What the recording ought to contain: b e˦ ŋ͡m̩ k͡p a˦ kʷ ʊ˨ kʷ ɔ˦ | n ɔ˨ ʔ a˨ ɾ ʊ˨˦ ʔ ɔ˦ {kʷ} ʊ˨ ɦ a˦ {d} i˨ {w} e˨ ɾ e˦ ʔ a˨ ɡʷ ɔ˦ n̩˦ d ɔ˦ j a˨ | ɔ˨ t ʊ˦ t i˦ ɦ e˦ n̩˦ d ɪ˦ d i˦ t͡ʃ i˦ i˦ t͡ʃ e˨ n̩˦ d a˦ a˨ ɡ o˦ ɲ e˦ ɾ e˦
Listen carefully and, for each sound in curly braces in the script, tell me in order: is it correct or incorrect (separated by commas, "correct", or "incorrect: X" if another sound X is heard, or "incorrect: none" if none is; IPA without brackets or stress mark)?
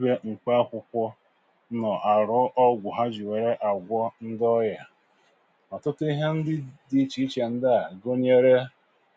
incorrect: ɡʷ, incorrect: d͡ʒ, correct